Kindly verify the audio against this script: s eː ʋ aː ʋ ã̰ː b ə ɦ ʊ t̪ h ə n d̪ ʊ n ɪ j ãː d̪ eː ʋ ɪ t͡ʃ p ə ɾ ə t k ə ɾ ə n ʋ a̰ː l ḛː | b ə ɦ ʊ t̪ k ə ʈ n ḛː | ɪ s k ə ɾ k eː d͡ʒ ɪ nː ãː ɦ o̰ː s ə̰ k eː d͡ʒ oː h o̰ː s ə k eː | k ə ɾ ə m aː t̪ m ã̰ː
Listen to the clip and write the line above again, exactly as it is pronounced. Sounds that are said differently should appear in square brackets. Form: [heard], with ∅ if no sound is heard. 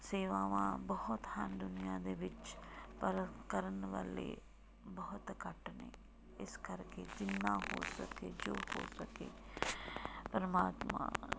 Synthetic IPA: s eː ʋ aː ʋ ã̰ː b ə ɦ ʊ t̪ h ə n d̪ ʊ n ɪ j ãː d̪ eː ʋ ɪ t͡ʃ p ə ɾ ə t k ə ɾ ə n ʋ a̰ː l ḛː | b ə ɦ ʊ t̪ k ə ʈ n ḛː | ɪ s k ə ɾ k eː d͡ʒ ɪ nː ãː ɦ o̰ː s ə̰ k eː d͡ʒ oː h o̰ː s ə k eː | [p] ə ɾ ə m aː t̪ m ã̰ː

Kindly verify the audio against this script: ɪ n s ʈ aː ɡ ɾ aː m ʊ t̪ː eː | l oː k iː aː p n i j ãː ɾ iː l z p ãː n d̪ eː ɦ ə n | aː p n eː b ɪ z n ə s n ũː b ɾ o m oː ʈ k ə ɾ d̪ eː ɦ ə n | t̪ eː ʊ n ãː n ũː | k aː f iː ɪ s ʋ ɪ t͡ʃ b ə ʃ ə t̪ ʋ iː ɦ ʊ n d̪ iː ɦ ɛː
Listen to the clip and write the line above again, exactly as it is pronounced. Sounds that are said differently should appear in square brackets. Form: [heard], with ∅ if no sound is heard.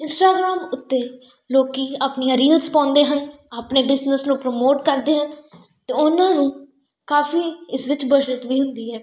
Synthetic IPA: ɪ n s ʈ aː ɡ ɾ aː m ʊ t̪ː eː | l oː k iː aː p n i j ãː ɾ iː l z p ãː n d̪ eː ɦ ə n | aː p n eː b ɪ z n ə s n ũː [p] ɾ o m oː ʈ k ə ɾ d̪ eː ɦ ə n | t̪ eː ʊ n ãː n ũː | k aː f iː ɪ s ʋ ɪ t͡ʃ b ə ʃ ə t̪ ʋ iː ɦ ʊ n d̪ iː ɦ ɛː

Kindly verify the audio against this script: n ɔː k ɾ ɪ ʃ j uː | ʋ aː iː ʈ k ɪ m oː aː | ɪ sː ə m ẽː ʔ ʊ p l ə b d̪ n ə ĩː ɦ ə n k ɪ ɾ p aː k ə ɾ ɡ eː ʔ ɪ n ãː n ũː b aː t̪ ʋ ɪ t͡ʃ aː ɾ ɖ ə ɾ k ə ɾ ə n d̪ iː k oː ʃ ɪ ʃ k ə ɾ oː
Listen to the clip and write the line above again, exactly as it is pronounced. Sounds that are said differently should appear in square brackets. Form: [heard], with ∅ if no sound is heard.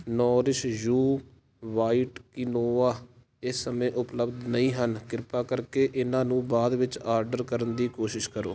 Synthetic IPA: n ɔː [∅] ɾ ɪ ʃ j uː | ʋ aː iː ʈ k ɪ [n] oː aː | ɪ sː ə m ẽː ʔ ʊ p l ə b d̪ n ə ĩː ɦ ə n k ɪ ɾ p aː k ə ɾ [k] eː ʔ ɪ n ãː n ũː b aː [d̪] ʋ ɪ t͡ʃ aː ɾ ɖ ə ɾ k ə ɾ ə n d̪ iː k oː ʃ ɪ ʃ k ə ɾ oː

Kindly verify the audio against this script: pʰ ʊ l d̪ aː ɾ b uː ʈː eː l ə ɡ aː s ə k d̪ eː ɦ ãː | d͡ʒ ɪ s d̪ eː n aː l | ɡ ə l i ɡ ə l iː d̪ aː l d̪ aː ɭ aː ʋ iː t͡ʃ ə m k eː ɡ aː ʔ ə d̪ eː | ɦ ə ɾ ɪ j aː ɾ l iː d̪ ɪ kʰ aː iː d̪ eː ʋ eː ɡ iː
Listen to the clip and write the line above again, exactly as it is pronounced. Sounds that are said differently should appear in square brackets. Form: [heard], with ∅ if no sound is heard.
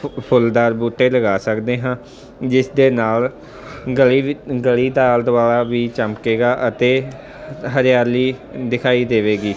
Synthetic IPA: pʰ ʊ l d̪ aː ɾ b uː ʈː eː l ə ɡ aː s ə k d̪ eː ɦ ãː | d͡ʒ ɪ s d̪ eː n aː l | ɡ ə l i ɡ ə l iː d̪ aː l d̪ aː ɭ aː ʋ iː t͡ʃ ə m k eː ɡ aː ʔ ə [t̪] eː | ɦ ə ɾ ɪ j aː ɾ l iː d̪ ɪ kʰ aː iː d̪ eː ʋ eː ɡ iː

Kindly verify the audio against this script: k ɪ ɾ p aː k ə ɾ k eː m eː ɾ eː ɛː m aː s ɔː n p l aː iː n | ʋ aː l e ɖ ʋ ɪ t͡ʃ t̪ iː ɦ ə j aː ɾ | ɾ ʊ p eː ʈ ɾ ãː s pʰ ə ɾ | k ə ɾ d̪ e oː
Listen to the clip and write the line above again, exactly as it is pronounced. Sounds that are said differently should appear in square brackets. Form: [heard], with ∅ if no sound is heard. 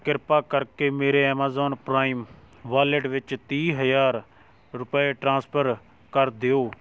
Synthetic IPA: k ɪ ɾ p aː k ə ɾ k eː m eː ɾ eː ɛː m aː [z] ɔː n p [ɾ] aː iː [m] | ʋ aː l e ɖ ʋ ɪ t͡ʃ t̪ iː ɦ ə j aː ɾ | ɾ ʊ p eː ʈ ɾ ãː s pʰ ə ɾ | k ə ɾ d̪ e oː

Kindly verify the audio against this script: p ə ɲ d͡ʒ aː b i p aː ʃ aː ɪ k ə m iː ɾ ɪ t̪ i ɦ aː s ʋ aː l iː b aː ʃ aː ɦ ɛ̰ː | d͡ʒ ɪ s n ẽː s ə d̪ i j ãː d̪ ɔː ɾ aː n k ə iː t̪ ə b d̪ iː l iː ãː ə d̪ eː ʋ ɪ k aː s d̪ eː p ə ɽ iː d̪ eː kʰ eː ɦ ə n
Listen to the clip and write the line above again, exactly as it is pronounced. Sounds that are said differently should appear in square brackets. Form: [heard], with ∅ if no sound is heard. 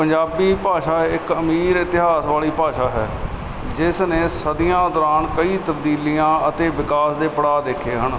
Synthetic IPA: p ə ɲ d͡ʒ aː b [iː] p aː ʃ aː ɪ k ə m iː ɾ ɪ t̪ [ɪ] ɦ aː s ʋ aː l iː [p] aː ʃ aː ɦ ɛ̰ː | d͡ʒ ɪ s n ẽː s ə d̪ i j ãː d̪ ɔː ɾ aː n k ə iː t̪ ə b d̪ iː l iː ãː ə [t̪] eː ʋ ɪ k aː s d̪ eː p ə ɽ [aː] d̪ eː kʰ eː ɦ ə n

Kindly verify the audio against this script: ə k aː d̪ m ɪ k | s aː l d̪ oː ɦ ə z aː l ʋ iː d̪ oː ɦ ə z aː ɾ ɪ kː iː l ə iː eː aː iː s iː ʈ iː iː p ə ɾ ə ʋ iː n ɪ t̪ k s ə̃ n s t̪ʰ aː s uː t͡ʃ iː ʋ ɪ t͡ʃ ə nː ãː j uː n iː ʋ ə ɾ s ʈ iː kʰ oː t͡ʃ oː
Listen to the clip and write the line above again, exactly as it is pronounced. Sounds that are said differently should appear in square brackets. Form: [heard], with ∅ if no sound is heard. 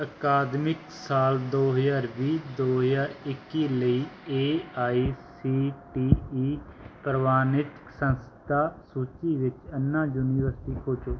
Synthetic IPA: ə k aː d̪ m ɪ k | s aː l d̪ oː ɦ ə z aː [ɾ] ʋ iː d̪ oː ɦ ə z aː ɾ ɪ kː iː l ə iː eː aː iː s iː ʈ iː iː p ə ɾ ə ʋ [aː] n ɪ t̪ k s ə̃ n s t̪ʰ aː s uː t͡ʃ iː ʋ ɪ t͡ʃ ə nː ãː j uː n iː ʋ ə ɾ s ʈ iː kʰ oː t͡ʃ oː

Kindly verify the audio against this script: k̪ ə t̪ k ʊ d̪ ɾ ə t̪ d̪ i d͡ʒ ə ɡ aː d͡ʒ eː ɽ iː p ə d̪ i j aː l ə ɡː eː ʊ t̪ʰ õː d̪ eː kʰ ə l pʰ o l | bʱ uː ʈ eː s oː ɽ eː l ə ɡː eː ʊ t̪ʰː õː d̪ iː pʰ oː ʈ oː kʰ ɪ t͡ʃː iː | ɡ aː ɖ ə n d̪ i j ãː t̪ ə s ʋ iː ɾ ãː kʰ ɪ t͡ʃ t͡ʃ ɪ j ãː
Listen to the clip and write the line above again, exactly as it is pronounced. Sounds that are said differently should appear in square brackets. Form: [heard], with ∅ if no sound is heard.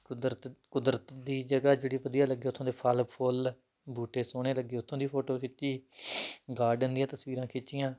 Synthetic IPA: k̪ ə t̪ k ʊ d̪ ɾ ə t̪ d̪ [iː] d͡ʒ ə ɡ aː d͡ʒ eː ɽ iː p ə d̪ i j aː l ə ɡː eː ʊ t̪ʰ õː d̪ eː [pʰ] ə l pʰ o l | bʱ uː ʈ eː s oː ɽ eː l ə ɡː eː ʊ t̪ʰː õː d̪ iː pʰ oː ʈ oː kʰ ɪ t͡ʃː iː | ɡ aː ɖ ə n d̪ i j ãː t̪ ə s ʋ iː ɾ ãː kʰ ɪ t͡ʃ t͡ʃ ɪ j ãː

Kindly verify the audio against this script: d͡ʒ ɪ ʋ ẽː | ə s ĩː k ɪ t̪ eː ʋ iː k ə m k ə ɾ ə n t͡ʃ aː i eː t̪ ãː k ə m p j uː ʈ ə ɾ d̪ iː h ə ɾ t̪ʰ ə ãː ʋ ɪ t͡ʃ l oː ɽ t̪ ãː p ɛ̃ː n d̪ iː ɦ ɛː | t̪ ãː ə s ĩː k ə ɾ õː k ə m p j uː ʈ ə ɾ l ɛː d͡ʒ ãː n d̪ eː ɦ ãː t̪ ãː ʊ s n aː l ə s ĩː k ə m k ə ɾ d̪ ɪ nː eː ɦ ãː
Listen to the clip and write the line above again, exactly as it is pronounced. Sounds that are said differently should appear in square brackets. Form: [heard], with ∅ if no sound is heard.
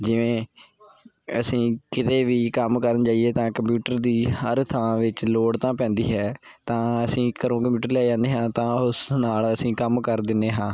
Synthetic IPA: d͡ʒ ɪ ʋ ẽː | ə s ĩː k ɪ t̪ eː ʋ iː k ə m k ə ɾ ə n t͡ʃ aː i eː t̪ ãː k ə m p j uː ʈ ə ɾ d̪ iː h ə ɾ t̪ʰ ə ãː ʋ ɪ t͡ʃ l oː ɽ t̪ ãː p ɛ̃ː n d̪ iː ɦ ɛː | t̪ ãː ə s ĩː k ə ɾ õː k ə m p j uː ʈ ə ɾ l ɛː d͡ʒ ãː n d̪ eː ɦ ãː t̪ ãː ʊ s n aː l ə s ĩː k ə m k ə ɾ d̪ ɪ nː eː ɦ ãː

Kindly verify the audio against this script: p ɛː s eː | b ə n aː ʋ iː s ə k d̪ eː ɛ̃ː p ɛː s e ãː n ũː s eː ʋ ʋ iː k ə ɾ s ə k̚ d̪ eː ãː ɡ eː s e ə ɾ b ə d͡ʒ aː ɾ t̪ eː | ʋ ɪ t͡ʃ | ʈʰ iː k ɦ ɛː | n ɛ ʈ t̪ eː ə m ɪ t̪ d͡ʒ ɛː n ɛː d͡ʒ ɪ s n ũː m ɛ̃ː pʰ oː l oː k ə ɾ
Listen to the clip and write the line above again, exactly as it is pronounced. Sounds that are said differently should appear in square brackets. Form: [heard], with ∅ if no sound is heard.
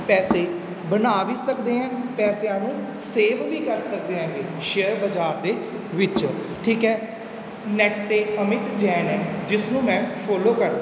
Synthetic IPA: p ɛː s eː | b ə n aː ʋ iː s ə k d̪ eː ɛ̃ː p ɛː s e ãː n ũː s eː ʋ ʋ iː k ə ɾ s ə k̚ d̪ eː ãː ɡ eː [ʃ] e ə ɾ b ə d͡ʒ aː ɾ [d̪] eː | ʋ ɪ t͡ʃ | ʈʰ iː k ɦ ɛː | n ɛ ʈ t̪ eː ə m ɪ t̪ d͡ʒ ɛː n ɛː d͡ʒ ɪ s n ũː m ɛ̃ː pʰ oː l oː k ə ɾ

